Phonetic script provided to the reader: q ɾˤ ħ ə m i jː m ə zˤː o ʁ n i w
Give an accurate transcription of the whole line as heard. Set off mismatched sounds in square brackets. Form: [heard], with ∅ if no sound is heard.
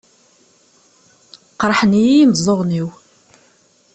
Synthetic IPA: q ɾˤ ħ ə [n] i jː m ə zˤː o ʁ n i w